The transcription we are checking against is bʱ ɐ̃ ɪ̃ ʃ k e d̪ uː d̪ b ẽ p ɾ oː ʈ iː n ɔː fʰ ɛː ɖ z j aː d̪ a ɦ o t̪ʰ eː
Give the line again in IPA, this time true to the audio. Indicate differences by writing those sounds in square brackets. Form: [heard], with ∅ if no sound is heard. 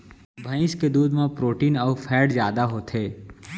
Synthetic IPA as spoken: bʱ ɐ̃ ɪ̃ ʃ k e d̪ uː d̪ [m] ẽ p ɾ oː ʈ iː n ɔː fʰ ɛː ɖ z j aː d̪ a ɦ o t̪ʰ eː